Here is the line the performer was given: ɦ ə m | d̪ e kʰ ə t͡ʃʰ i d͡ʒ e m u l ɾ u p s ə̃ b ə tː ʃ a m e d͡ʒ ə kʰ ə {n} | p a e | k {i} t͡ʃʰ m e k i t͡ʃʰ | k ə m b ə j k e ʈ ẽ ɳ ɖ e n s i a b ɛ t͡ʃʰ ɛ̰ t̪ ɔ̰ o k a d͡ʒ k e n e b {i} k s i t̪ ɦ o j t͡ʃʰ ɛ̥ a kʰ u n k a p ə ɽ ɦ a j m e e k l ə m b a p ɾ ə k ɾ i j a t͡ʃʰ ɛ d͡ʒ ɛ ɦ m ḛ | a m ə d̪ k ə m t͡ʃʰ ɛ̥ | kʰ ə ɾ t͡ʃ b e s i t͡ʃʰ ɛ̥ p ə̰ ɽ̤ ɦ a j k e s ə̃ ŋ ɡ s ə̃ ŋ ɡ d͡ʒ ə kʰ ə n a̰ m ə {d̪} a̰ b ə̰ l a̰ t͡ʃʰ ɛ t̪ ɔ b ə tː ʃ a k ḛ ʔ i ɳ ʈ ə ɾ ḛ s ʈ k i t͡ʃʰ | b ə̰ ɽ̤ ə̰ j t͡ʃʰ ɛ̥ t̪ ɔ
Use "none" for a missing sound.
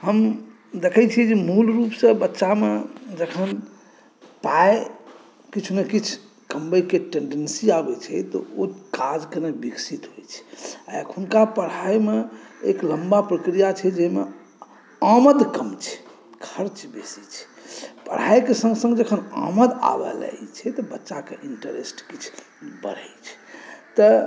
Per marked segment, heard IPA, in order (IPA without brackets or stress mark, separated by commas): n, i, i, d̪